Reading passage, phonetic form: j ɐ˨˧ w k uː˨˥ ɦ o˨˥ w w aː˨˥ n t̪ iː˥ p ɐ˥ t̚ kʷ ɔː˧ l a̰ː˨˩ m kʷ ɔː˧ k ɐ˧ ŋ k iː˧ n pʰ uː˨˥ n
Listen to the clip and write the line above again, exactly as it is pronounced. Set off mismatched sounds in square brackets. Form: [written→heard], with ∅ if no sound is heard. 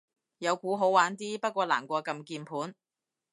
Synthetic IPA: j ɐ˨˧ w k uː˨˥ ɦ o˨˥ w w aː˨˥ n t̪ iː˥ p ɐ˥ t̚ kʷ ɔː˧ l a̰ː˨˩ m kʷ ɔː˧ k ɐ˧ [ŋ→m] k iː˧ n pʰ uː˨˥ n